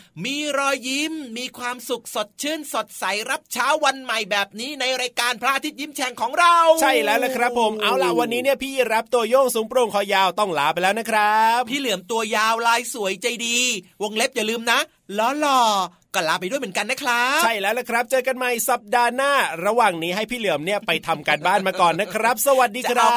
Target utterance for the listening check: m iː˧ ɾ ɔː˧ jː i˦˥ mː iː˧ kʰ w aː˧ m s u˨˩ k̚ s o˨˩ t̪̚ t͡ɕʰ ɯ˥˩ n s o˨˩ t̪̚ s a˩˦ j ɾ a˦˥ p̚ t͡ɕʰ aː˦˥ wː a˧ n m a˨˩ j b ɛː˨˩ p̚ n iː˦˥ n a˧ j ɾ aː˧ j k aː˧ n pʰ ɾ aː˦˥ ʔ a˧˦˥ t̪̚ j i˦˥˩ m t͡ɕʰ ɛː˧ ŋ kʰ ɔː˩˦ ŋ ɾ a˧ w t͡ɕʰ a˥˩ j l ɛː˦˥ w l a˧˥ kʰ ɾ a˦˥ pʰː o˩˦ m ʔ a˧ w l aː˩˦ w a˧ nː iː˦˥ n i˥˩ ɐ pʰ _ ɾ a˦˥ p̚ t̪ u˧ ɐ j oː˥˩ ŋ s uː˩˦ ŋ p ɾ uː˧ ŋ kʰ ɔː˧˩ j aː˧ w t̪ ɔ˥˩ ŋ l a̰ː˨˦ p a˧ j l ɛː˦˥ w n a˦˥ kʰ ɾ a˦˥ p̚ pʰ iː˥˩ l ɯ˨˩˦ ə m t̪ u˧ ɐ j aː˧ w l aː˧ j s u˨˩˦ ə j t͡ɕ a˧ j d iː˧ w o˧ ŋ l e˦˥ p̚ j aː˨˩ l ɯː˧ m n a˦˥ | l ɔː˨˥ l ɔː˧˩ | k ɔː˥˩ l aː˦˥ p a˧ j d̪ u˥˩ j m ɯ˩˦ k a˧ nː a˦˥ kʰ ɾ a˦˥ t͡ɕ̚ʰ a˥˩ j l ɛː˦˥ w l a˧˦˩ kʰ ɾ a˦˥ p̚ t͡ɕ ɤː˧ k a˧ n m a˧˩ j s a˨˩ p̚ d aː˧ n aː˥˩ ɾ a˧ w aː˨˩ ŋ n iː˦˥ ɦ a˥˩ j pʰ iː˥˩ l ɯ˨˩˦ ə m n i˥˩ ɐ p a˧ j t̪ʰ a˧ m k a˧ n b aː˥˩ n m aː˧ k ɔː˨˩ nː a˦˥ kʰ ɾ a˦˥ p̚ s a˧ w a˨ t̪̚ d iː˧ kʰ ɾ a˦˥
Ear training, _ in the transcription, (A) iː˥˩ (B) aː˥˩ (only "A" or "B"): A